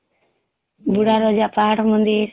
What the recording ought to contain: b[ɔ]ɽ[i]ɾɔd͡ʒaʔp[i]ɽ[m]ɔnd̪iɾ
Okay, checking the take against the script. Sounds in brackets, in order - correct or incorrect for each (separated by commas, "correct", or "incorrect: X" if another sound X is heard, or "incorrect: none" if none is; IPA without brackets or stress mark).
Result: incorrect: u, incorrect: a, incorrect: a, correct